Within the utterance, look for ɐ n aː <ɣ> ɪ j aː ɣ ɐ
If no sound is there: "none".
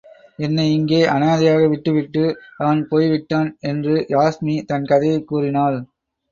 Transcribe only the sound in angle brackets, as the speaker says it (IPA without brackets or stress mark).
ð